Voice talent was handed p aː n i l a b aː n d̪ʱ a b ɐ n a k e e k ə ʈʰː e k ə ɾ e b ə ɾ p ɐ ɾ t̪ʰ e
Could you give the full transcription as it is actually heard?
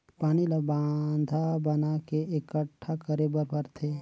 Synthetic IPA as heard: p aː n i l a b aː n d̪ʱ a b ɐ n a k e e k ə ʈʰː a k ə ɾ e b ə ɾ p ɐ ɾ t̪ʰ e

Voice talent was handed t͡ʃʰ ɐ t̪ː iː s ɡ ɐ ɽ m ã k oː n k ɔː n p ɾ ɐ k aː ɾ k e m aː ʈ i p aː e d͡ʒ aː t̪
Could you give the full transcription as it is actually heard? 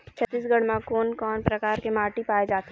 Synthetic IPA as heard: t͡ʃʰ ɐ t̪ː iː s ɡ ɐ ɽ m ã k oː n k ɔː n p ɾ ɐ k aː ɾ k e m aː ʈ i p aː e d͡ʒ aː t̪

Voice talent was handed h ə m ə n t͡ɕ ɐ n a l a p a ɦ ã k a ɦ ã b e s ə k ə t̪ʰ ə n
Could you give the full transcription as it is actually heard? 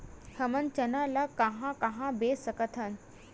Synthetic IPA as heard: h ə m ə n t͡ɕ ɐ n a l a k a ɦ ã k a ɦ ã b e s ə k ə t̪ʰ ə n

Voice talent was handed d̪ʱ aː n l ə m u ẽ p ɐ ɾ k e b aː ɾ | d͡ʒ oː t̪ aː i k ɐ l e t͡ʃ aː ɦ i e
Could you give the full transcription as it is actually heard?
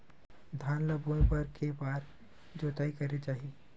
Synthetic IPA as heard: d̪ʱ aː n l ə b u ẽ p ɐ ɾ k e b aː ɾ | d͡ʒ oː t̪ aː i k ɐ ɾ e t͡ʃ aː ɦ i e

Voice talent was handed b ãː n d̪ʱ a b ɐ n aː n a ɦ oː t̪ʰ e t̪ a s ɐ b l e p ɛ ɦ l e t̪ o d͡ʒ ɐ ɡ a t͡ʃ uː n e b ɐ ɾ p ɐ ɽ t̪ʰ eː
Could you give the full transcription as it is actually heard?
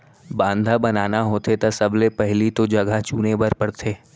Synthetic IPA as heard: b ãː n d̪ʱ a b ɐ n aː n a ɦ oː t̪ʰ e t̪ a s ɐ b l e p ɛ ɦ l i t̪ o d͡ʒ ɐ ɡ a t͡ʃ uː n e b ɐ ɾ p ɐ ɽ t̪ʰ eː

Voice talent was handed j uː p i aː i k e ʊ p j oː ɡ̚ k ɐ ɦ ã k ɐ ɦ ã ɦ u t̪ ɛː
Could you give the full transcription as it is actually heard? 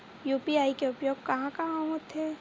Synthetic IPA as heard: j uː p i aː i k e ʊ p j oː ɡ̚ k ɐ ɦ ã k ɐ ɦ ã ɦ o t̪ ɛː

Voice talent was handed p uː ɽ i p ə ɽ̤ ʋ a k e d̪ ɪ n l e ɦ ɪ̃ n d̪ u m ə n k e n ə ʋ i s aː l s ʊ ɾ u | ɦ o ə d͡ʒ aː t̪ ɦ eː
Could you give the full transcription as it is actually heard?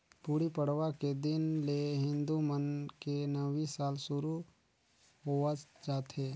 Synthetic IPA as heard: p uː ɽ i p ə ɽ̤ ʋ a k e d̪ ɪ n l e ɦ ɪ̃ n d̪ u m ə n k e n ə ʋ i s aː l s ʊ ɾ u | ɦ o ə d͡ʒ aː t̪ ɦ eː

